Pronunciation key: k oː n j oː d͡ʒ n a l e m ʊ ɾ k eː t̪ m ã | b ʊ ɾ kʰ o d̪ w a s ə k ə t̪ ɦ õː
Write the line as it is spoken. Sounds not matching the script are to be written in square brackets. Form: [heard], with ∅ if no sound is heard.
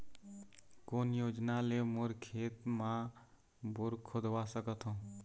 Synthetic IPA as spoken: k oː n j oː d͡ʒ n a l e m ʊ ɾ [kʰ] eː t̪ m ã | b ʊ ɾ kʰ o d̪ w a s ə k ə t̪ ɦ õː